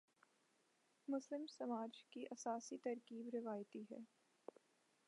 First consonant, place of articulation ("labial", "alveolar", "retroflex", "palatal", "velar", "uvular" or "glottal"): labial